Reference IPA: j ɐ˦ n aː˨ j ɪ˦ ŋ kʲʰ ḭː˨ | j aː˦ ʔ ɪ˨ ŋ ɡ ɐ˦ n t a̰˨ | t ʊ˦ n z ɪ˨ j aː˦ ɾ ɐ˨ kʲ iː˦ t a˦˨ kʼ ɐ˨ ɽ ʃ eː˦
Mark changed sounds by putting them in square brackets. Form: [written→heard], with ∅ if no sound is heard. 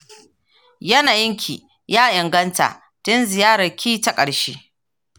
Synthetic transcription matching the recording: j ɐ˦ n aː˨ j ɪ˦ ŋ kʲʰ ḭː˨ | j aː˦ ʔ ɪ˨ ŋ ɡ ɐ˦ n t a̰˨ | t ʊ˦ n z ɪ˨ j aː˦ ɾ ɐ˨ kʲ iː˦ t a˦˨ kʼ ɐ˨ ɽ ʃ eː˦